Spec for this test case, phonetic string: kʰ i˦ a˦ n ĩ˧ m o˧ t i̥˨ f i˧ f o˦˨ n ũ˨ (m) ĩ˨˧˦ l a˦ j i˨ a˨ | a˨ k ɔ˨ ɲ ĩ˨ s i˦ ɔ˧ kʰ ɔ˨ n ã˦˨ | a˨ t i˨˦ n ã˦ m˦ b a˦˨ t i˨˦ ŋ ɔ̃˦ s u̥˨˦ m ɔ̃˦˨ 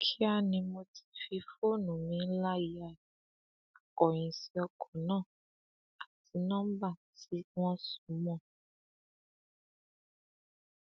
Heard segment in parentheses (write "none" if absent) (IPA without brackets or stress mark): m